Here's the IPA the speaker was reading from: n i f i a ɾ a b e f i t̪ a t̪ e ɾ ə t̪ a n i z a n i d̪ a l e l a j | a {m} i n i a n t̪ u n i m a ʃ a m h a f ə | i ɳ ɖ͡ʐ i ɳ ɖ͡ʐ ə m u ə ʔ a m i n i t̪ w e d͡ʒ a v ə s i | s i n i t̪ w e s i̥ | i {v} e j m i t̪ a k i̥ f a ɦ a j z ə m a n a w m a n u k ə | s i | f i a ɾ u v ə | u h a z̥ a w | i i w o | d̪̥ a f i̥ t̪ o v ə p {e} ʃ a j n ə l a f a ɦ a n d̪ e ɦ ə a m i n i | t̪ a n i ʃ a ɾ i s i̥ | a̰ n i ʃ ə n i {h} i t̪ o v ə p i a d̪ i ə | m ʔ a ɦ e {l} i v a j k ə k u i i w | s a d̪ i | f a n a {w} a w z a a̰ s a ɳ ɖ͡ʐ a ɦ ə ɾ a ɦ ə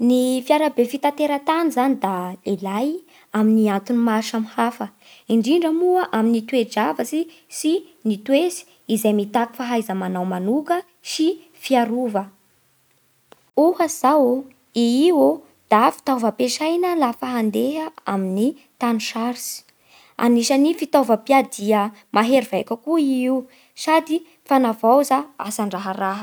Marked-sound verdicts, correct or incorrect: correct, incorrect: z, correct, incorrect: f, incorrect: ɾ, incorrect: v

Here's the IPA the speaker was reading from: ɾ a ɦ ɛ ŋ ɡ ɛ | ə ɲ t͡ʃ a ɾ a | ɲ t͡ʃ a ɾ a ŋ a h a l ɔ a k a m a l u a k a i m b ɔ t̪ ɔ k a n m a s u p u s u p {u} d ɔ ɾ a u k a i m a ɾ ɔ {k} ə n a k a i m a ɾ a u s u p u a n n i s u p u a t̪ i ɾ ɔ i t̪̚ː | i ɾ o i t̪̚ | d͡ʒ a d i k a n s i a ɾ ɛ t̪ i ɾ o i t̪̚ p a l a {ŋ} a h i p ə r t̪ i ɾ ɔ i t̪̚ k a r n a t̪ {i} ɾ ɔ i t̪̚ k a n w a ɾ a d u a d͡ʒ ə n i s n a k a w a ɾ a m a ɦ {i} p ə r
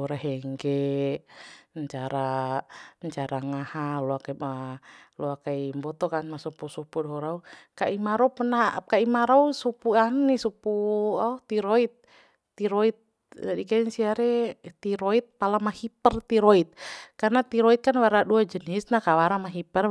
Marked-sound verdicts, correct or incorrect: correct, incorrect: p, incorrect: m, correct, correct

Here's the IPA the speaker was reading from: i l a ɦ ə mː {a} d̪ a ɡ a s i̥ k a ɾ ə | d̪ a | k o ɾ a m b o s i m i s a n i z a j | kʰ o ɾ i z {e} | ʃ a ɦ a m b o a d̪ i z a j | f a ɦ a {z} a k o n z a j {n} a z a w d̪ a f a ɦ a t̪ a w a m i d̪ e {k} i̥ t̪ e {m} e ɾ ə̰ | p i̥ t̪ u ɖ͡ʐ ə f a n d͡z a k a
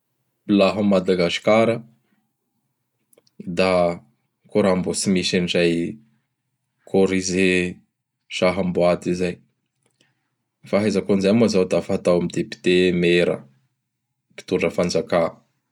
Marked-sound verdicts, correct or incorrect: correct, correct, correct, incorrect: m, incorrect: p, correct

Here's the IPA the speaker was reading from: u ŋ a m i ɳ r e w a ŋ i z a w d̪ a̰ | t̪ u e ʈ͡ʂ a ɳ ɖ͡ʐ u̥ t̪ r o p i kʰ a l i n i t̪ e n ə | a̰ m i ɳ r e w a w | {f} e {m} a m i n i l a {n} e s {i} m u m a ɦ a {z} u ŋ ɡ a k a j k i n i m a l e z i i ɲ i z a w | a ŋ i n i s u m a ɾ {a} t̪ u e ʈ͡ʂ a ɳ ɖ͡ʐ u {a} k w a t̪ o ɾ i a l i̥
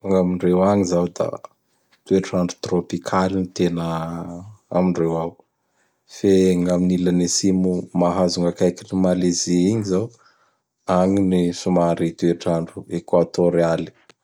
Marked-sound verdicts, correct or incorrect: correct, incorrect: ŋ, correct, correct, correct, incorrect: i, incorrect: e

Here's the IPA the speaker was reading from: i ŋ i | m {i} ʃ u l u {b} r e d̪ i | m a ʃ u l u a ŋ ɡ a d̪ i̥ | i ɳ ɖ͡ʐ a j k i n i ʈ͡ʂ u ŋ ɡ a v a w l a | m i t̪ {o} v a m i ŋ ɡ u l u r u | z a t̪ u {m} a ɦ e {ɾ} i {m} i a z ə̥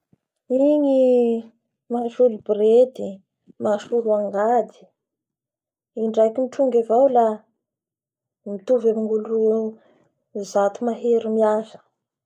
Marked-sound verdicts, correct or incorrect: incorrect: a, correct, incorrect: u, correct, correct, correct

